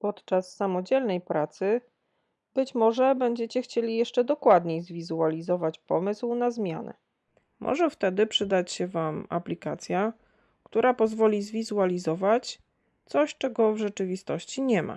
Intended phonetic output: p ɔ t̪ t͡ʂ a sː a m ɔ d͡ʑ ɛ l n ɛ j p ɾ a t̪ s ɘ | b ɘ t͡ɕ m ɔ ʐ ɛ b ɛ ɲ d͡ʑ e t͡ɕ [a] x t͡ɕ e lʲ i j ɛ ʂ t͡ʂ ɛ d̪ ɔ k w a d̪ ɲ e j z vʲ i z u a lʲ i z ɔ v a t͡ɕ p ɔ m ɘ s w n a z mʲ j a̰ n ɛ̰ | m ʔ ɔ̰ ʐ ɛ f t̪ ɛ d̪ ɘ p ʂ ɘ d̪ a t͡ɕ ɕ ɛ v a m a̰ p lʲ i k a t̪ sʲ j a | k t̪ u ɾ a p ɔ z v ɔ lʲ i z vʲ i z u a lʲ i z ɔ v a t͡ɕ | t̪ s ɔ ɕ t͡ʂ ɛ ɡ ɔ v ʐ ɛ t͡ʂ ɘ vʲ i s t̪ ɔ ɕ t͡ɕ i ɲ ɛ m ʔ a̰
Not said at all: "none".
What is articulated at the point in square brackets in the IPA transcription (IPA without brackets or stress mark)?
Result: ɛ